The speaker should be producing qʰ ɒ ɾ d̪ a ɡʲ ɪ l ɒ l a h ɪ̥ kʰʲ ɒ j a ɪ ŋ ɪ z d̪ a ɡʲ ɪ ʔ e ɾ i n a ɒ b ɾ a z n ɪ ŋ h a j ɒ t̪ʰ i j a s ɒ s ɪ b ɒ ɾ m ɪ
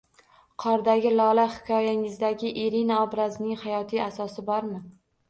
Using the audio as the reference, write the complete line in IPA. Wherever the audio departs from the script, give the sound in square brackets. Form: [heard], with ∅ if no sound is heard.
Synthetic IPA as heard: qʰ ɒ ɾ d̪ a ɡʲ ɪ l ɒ l a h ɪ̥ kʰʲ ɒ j a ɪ ŋ ɪ z d̪ a ɡʲ ɪ ʔ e ɾ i n a ɒ b ɾ a z n ɪ ŋ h a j ɒ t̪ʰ i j a s ɒ s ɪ b ɒ ɾ m ɪ